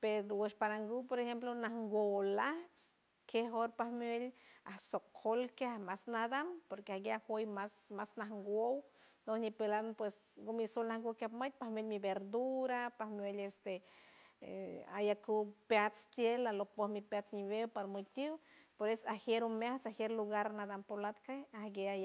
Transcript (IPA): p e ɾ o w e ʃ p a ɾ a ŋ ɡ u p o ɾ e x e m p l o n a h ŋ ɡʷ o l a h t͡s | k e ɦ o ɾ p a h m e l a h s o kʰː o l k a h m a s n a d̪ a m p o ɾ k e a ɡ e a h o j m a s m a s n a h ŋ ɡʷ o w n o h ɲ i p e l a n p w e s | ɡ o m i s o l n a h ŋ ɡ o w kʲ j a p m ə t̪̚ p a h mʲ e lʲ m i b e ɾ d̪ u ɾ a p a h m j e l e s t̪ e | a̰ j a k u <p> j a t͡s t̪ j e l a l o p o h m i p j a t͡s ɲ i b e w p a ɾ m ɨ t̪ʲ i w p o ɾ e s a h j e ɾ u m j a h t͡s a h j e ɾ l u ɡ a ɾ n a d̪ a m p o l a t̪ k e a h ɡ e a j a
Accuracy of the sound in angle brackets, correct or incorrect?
correct